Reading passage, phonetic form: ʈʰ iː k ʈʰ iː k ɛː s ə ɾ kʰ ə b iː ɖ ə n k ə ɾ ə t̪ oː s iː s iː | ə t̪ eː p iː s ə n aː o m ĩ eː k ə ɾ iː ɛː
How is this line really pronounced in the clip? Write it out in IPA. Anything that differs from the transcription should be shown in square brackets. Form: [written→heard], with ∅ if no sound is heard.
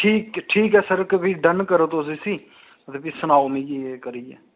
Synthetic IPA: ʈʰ iː k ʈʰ iː k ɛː s ə ɾ [kʰ→k] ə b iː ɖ ə n k ə ɾ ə t̪ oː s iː s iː | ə t̪ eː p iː s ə n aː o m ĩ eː k ə ɾ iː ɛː